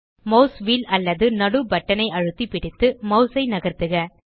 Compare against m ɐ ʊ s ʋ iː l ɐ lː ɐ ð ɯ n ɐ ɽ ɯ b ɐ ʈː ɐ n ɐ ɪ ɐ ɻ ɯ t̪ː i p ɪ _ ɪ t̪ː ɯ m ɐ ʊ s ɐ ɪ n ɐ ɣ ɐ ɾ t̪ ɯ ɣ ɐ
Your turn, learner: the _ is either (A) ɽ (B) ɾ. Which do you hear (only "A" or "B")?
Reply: A